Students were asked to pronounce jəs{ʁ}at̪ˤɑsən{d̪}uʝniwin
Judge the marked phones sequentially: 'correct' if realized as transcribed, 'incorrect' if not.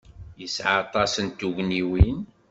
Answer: incorrect, incorrect

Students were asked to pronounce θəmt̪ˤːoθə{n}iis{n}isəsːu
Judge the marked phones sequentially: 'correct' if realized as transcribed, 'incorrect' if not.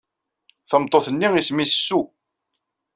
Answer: incorrect, incorrect

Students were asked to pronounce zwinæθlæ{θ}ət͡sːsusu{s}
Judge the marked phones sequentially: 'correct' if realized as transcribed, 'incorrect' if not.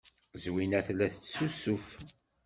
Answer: correct, incorrect

